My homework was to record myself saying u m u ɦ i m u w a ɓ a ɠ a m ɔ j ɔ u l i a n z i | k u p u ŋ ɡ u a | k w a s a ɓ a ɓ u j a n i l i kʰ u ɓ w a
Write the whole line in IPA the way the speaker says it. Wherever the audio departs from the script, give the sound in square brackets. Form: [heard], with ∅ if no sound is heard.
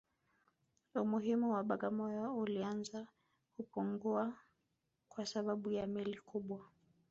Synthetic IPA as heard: u m u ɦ i m u w a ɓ a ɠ a m ɔ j ɔ u l i a n z [a] | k u p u ŋ ɡ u a | k w a s a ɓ a ɓ u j a [m] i l i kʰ u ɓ w a